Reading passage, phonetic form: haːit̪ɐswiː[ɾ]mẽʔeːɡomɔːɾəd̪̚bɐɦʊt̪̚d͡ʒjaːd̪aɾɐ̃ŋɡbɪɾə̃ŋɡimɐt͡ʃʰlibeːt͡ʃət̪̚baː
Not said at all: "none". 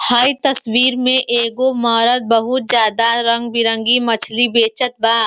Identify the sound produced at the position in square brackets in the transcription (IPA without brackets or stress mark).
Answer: ɾ